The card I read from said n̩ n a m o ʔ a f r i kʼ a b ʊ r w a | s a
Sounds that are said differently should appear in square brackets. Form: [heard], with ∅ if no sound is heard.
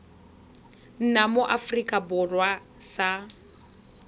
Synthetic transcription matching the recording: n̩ n a m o ʔ a f r i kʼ a b ʊ r w a | s a

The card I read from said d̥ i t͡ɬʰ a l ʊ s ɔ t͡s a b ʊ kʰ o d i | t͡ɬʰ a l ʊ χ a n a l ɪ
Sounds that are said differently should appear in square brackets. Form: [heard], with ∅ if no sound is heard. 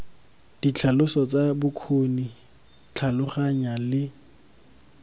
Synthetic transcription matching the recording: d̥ i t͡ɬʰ a l ʊ s ɔ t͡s a b ʊ kʰ o [n] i | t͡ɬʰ a l ʊ χ a [ɲ] a l ɪ

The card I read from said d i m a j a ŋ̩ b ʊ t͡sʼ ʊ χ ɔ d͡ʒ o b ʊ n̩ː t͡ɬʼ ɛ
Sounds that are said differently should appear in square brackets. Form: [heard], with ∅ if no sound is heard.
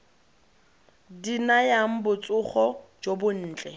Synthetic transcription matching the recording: d i [n] a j a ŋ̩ b ʊ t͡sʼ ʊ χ ɔ d͡ʒ o b ʊ n̩ː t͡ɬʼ ɛ

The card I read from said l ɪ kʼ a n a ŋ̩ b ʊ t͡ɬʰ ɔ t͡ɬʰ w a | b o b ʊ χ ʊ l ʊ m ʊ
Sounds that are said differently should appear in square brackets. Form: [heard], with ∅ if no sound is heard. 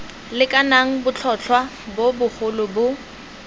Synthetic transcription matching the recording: l ɪ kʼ a n a ŋ̩ b ʊ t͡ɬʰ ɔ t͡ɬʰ w a | b o b ʊ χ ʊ l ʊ [b] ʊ

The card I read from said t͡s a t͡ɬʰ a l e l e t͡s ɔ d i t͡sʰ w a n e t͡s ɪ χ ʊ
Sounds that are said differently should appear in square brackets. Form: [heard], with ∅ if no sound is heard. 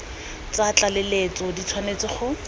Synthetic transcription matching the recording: t͡s a [t͡ɬ] a l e l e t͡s ɔ d i t͡sʰ w a n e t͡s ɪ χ ʊ

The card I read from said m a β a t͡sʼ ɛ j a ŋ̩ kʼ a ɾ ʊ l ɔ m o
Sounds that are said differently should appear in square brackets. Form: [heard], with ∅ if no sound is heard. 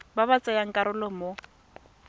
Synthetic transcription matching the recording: [b] a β a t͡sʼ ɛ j a ŋ̩ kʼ a ɾ ʊ l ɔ m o

